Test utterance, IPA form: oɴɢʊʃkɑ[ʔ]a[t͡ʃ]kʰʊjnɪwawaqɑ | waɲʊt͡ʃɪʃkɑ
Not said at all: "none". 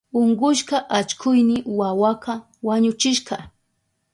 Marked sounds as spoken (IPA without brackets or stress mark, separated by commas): ʔ, t͡ʃ